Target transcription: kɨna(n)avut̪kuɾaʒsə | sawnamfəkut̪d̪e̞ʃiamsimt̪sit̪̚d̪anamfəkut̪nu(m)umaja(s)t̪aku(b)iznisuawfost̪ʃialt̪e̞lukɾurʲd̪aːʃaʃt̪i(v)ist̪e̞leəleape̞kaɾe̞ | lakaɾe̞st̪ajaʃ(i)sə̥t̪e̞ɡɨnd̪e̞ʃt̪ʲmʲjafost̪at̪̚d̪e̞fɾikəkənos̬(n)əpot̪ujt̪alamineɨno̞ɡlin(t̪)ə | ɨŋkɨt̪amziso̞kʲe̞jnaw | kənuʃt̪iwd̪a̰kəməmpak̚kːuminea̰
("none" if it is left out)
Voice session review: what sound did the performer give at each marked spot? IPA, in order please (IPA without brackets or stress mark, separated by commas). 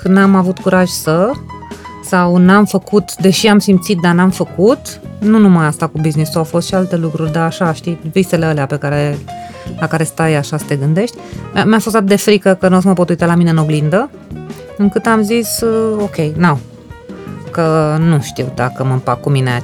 m, n, s, b, v, a, m, d̪